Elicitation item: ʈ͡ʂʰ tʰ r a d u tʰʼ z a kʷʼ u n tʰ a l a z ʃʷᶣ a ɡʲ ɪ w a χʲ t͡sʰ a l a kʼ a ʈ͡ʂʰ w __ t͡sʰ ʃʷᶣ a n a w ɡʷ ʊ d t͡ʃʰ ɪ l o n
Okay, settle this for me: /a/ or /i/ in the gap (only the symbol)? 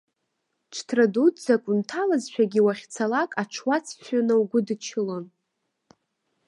a